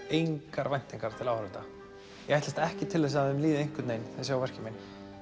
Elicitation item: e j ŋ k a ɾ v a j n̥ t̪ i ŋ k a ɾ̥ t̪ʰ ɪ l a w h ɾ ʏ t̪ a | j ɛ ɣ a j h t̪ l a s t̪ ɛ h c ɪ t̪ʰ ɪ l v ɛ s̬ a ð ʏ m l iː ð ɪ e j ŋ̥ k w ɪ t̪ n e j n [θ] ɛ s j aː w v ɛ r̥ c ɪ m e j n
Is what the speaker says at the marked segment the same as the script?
yes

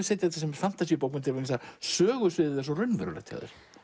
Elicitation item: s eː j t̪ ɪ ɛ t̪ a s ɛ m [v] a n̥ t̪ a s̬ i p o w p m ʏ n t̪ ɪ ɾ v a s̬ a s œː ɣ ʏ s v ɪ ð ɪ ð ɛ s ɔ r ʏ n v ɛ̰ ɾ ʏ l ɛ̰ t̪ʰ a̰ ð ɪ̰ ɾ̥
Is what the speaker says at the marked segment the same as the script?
no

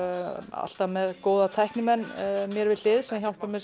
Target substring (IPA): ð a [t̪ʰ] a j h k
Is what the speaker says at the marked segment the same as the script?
yes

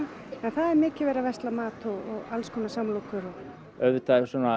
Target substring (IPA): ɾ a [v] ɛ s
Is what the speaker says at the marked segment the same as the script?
yes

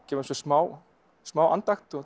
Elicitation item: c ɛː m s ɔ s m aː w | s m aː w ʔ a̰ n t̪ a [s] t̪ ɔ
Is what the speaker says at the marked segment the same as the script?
no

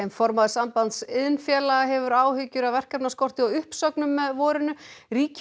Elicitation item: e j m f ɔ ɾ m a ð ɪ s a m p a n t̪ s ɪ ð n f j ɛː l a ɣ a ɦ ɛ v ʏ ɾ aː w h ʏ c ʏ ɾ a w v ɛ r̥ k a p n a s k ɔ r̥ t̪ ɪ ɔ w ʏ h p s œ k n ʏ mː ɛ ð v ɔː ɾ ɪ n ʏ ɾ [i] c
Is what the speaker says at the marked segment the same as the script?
no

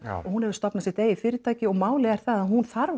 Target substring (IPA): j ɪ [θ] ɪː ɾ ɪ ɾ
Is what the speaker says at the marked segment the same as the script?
no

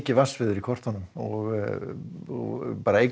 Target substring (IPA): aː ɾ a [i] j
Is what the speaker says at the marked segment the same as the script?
no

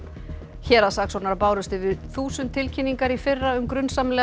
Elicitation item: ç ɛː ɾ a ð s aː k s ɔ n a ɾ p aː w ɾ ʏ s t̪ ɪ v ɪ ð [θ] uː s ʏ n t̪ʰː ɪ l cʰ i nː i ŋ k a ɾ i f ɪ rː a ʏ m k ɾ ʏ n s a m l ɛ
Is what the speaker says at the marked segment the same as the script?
yes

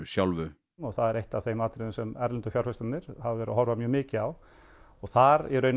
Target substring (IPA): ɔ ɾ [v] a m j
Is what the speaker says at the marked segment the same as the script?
yes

